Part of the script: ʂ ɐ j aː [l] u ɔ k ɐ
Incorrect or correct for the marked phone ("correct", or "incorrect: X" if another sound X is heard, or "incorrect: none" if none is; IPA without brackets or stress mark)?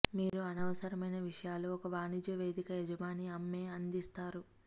correct